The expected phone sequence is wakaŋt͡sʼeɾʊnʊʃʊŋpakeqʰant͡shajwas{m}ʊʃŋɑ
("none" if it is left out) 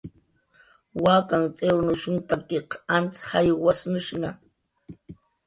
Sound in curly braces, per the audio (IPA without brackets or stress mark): n